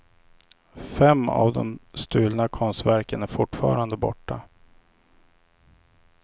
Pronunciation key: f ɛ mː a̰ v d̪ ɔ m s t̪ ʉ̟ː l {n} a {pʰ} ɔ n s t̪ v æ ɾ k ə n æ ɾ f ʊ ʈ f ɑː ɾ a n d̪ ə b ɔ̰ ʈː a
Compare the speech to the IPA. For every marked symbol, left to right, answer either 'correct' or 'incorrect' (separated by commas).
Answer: correct, incorrect